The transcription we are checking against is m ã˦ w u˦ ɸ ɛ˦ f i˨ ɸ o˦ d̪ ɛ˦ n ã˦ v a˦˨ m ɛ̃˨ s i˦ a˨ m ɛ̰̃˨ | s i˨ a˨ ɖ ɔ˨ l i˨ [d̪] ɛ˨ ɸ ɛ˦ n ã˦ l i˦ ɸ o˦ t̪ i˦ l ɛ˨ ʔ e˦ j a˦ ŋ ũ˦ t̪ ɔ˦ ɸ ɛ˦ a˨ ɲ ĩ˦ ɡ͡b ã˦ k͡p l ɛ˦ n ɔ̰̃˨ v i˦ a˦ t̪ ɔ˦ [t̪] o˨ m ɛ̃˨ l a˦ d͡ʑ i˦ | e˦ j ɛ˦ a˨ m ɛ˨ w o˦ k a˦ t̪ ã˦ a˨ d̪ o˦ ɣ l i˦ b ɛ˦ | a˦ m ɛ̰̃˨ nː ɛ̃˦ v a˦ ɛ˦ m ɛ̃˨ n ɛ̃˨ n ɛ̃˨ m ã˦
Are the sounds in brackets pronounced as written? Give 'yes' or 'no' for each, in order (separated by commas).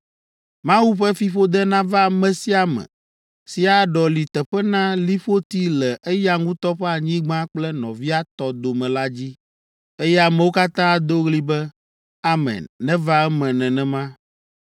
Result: no, no